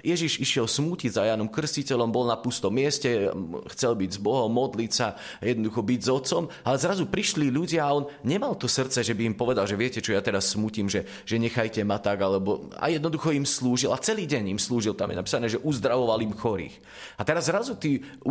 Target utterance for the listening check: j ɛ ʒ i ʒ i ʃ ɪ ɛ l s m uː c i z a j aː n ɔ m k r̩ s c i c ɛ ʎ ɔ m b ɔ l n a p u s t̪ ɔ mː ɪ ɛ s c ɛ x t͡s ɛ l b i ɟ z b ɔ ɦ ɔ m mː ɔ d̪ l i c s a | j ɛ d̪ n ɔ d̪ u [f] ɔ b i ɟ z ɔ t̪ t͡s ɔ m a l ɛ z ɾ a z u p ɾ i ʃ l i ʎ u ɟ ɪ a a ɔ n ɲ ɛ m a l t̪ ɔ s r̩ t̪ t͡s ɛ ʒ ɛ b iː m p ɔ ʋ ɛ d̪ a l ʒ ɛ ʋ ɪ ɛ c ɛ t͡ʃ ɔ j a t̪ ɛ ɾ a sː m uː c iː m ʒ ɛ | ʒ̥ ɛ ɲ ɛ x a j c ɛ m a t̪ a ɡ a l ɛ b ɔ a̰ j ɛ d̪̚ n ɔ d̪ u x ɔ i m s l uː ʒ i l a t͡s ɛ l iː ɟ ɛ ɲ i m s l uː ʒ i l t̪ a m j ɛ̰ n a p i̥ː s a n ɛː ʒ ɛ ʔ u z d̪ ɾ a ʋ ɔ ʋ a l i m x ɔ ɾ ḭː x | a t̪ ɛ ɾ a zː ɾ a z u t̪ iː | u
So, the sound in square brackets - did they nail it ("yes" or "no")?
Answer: no